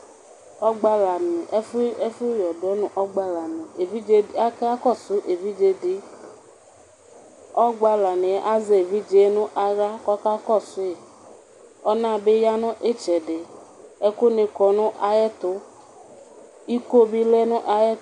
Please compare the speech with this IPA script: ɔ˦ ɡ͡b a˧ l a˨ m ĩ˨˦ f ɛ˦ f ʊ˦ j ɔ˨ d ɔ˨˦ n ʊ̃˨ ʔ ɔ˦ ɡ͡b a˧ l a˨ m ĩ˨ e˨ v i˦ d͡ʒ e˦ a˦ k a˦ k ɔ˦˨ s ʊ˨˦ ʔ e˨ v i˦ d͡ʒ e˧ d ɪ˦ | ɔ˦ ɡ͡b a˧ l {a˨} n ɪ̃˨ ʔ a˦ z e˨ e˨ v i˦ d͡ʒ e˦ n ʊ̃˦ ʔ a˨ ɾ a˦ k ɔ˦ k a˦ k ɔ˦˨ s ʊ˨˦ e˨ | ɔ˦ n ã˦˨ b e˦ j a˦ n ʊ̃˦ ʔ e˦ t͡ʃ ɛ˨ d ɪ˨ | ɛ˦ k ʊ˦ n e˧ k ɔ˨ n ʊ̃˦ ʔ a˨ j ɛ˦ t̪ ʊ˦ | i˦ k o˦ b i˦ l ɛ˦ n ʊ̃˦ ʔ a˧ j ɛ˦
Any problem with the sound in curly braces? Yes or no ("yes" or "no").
no